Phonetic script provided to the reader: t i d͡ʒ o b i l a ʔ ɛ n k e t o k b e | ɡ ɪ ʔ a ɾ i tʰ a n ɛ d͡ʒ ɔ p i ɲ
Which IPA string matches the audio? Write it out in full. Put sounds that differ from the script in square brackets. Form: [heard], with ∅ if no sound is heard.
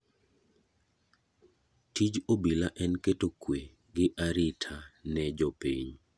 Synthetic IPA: t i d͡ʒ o b i l a ʔ ɛ n k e t o k [w] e | ɡ ɪ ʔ a ɾ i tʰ a n ɛ d͡ʒ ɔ p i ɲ